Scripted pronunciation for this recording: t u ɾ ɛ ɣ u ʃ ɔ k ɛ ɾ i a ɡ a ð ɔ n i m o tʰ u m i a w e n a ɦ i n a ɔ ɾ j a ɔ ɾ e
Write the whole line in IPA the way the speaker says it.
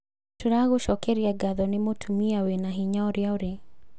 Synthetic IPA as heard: t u ɾ a ɣ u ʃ ɔ k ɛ ɾ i a ɡ a ð ɔ n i m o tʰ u m i a w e n a ɦ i ɲ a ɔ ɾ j a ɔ ɾ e